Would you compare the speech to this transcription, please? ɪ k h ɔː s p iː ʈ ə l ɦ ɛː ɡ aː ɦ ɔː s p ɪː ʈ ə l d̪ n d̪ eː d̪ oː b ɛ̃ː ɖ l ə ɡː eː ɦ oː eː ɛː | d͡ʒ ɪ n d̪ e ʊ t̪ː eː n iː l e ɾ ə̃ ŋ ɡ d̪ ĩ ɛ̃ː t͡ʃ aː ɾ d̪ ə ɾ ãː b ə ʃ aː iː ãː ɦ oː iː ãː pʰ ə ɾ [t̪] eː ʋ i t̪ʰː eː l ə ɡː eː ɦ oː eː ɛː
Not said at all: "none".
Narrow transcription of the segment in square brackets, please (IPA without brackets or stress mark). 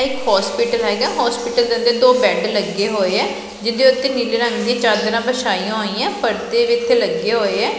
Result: t̪